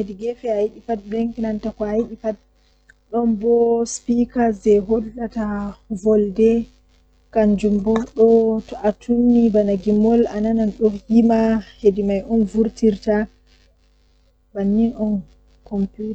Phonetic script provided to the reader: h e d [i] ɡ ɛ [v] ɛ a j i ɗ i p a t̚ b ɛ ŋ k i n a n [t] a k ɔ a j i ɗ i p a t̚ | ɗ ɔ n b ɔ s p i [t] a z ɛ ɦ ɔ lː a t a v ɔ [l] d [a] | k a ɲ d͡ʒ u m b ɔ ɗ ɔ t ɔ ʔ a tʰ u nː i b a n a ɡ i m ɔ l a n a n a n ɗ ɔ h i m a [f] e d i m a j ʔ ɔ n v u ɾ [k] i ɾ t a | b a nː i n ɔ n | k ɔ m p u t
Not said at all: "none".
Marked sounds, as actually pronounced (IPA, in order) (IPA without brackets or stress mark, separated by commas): i, f, t, k, l, ɛ, h, t